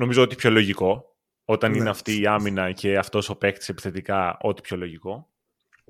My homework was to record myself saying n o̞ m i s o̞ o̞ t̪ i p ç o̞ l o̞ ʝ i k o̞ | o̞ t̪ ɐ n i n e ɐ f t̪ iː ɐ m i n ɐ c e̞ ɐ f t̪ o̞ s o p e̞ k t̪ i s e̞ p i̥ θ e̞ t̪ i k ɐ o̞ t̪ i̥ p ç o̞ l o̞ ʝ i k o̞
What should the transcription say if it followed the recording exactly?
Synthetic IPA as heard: n o̞ m i z o̞ o̞ t̪ i p ç o̞ l o̞ ʝ i k o̞ | o̞ t̪ ɐ n i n e ɐ f t̪ iː ɐ m i n ɐ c e̞ ɐ f t̪ o̞ s o p e̞ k t̪ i s e̞ p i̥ θ e̞ t̪ i k ɐ o̞ t̪ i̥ p ç o̞ l o̞ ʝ i k o̞